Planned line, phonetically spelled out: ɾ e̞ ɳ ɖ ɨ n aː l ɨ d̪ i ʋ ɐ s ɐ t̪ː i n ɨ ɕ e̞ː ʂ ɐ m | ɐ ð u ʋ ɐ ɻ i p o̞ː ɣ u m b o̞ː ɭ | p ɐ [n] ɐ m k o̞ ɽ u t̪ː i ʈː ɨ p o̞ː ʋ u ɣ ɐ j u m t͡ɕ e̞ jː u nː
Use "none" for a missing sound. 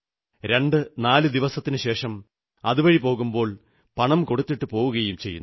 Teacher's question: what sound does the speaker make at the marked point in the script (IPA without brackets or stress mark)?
ɳ